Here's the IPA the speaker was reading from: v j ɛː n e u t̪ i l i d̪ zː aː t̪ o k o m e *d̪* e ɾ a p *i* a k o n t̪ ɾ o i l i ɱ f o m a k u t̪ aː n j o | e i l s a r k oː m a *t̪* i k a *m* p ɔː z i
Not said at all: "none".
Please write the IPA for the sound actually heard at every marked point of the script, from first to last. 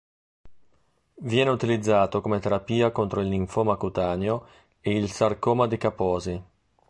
t̪, iː, d̪, none

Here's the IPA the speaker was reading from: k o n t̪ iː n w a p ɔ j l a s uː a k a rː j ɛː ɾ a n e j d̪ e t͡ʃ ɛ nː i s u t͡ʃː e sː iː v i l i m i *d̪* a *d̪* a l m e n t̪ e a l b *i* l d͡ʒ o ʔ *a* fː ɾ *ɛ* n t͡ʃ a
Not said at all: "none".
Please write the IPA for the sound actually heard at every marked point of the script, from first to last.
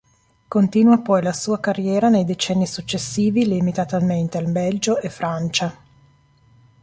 t̪, t̪, ɛ, e, a

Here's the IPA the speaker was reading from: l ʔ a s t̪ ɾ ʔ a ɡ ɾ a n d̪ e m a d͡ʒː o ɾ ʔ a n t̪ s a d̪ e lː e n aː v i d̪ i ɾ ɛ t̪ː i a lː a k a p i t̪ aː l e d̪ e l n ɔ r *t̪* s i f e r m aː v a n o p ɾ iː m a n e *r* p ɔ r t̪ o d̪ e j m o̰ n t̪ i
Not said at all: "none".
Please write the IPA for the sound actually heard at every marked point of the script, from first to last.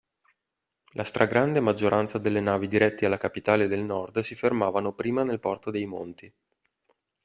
d̪, l

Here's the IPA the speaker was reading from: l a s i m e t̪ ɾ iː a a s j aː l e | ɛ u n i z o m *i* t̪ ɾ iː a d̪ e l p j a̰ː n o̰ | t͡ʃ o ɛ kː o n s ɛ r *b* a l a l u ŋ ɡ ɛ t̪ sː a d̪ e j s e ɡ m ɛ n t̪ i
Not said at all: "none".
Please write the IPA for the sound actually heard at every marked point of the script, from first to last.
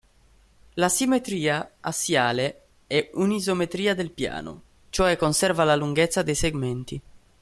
e, v

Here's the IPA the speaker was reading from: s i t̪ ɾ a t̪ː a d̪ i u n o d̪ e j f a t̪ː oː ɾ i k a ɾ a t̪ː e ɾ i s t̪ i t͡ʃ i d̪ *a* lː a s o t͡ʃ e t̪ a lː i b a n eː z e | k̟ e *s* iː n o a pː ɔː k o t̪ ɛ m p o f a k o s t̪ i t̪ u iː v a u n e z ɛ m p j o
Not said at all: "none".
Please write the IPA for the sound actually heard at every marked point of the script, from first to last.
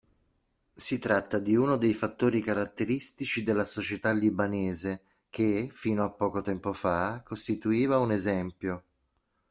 e, f

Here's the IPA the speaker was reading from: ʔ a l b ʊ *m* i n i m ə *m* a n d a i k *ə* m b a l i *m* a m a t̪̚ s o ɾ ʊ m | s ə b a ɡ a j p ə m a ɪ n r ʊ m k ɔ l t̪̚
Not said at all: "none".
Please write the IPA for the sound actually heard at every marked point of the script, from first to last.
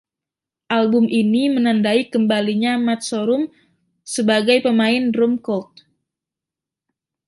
m, n, ə, ɲ

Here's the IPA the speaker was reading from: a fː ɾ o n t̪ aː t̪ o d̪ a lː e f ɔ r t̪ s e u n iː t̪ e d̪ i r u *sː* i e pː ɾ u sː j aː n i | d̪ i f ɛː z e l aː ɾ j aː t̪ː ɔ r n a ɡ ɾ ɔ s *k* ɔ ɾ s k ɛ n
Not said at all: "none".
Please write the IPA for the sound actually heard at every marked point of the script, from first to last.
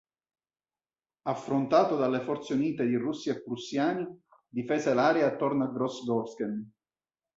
sː, ɡ

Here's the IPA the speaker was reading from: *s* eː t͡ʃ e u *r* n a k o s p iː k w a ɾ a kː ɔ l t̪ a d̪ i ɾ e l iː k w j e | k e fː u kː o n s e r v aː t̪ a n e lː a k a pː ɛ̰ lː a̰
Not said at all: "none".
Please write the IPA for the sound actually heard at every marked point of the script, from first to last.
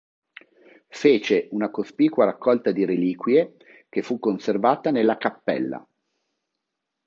f, none

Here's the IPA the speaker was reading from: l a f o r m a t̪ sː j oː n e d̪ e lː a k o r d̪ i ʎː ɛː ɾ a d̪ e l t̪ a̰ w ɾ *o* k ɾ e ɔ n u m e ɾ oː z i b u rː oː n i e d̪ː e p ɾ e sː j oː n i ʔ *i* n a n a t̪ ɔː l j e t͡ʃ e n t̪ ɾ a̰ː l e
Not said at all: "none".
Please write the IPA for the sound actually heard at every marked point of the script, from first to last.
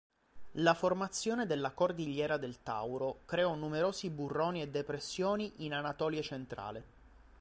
o, i

